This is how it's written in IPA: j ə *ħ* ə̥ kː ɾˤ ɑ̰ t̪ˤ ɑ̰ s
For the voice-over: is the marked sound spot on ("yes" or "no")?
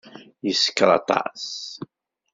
no